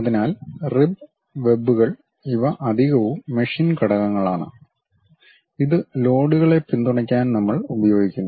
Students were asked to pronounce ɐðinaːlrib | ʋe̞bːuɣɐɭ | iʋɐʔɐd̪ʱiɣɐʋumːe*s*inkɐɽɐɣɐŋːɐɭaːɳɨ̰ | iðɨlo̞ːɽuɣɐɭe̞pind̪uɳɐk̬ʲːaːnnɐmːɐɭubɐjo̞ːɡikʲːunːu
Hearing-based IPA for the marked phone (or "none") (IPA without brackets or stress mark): ʂ